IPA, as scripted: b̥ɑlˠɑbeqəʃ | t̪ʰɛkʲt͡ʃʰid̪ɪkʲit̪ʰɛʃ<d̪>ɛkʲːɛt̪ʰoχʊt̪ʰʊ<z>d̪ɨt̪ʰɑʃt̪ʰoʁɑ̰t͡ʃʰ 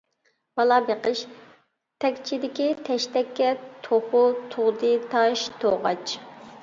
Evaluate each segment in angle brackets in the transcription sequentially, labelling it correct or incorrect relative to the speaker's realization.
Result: incorrect, incorrect

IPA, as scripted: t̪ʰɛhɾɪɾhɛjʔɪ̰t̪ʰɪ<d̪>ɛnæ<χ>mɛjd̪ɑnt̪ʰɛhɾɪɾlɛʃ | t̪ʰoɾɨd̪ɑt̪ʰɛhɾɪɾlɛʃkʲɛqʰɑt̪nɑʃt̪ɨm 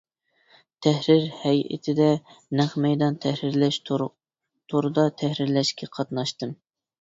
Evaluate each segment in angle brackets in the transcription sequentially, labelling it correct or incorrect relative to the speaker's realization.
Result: correct, correct

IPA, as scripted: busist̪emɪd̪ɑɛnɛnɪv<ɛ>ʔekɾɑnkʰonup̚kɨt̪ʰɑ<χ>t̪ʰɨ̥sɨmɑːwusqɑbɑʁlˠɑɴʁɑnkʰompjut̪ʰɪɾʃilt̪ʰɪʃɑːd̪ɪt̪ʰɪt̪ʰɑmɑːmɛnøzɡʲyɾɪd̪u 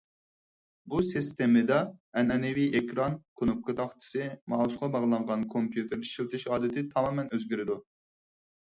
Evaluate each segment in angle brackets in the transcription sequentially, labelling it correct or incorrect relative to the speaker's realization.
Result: incorrect, correct

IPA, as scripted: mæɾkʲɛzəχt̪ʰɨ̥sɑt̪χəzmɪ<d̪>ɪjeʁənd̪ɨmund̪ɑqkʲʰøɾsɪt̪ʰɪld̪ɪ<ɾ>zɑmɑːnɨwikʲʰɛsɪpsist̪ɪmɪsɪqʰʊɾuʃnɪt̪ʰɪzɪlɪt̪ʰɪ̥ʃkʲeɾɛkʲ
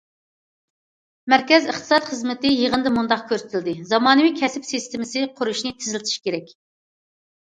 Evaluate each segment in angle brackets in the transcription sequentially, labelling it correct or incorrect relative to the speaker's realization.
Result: incorrect, incorrect

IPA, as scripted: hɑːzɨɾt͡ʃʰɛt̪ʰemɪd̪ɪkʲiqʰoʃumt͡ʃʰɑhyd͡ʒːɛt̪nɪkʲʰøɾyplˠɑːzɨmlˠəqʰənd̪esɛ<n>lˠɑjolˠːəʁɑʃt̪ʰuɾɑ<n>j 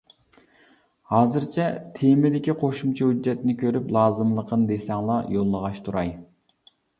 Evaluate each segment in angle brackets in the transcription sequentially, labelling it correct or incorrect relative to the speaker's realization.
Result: incorrect, incorrect

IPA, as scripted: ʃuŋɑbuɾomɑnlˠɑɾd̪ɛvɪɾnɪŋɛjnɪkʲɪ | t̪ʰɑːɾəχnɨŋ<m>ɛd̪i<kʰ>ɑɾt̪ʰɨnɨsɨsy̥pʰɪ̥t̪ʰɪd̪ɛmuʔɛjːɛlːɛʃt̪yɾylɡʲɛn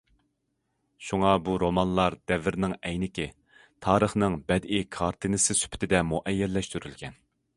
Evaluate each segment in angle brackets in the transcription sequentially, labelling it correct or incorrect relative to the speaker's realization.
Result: incorrect, correct

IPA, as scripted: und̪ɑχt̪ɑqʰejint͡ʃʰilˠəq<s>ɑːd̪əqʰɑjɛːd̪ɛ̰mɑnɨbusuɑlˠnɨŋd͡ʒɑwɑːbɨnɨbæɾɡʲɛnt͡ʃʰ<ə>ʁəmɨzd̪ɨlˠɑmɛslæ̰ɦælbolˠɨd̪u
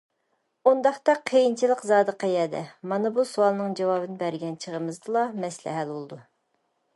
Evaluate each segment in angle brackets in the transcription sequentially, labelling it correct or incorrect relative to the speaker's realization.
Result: incorrect, correct

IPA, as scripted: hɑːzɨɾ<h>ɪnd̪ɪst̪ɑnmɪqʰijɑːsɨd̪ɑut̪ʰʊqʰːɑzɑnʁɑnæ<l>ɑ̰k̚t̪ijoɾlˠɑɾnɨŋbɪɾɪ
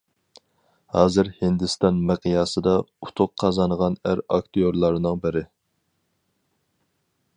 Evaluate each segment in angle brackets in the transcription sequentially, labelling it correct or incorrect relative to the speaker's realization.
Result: correct, incorrect

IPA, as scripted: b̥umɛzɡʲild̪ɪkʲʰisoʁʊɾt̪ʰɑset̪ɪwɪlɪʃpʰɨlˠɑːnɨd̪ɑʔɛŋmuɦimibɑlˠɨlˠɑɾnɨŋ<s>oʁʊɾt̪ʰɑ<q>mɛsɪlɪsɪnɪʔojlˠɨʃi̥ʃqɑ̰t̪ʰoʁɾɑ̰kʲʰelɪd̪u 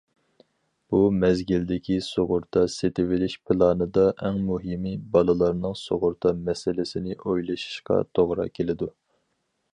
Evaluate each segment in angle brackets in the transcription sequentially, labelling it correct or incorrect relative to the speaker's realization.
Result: correct, incorrect

